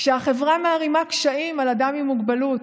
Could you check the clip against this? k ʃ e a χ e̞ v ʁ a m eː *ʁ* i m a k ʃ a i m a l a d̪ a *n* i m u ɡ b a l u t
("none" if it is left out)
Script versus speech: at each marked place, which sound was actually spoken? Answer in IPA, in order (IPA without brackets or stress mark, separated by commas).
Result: ʁ, m